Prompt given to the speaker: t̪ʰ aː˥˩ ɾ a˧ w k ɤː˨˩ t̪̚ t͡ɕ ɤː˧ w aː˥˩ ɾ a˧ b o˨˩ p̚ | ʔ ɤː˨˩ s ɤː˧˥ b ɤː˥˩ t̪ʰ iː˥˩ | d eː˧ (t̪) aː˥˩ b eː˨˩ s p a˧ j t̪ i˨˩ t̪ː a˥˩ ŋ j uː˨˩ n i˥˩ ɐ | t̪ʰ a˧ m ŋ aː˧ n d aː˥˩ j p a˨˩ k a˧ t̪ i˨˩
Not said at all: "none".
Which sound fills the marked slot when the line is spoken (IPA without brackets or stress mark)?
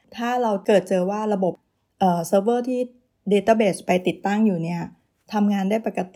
t̪